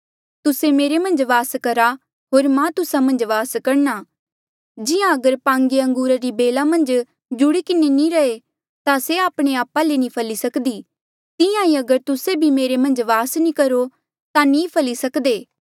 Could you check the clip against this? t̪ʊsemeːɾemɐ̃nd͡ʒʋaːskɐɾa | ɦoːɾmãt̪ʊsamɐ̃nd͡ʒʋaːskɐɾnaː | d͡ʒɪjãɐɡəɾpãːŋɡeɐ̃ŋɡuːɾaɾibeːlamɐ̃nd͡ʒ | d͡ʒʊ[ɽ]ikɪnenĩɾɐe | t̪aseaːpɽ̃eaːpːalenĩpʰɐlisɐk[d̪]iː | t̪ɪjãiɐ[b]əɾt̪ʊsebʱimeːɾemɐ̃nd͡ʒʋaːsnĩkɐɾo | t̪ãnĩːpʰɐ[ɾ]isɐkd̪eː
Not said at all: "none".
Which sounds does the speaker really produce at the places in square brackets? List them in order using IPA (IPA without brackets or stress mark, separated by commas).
ɽ, d̪, ɡ, l